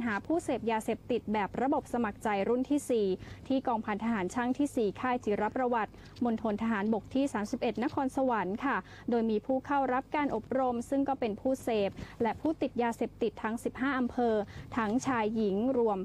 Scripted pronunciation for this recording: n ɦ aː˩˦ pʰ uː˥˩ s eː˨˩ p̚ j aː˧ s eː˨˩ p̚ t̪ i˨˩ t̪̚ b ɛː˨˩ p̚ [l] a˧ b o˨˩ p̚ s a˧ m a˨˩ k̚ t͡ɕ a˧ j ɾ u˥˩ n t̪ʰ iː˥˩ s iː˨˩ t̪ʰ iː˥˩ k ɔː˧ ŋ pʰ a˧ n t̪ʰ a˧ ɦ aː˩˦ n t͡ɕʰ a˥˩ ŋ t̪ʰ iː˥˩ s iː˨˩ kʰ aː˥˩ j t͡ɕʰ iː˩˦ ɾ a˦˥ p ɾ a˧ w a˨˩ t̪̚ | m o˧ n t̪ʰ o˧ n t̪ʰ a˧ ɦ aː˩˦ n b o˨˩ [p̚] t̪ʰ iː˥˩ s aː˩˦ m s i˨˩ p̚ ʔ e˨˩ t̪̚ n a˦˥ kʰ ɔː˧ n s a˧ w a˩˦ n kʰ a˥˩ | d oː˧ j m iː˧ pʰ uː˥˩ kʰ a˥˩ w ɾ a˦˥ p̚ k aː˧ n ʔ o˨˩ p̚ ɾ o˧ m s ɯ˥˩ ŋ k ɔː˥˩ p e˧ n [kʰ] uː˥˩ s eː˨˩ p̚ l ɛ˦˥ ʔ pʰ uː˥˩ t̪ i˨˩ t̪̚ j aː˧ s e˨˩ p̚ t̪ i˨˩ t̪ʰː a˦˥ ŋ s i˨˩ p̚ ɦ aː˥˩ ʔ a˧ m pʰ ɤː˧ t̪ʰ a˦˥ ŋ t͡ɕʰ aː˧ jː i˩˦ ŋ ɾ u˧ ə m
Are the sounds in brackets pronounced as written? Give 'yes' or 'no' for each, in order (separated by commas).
no, no, no